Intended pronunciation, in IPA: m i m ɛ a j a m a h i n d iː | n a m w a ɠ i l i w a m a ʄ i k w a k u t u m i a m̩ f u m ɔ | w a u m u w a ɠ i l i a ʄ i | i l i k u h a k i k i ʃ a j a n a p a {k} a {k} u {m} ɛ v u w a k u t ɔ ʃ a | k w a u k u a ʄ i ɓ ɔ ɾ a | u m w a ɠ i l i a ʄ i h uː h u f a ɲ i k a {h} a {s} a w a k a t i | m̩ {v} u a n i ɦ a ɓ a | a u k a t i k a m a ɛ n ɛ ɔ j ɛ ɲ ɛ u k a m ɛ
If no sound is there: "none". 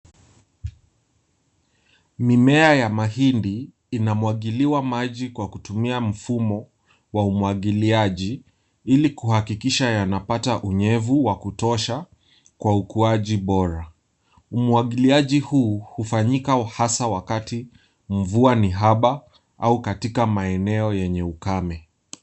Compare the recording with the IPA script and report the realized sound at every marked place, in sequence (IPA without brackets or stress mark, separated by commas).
t, ʔ, ɲ, h, s, v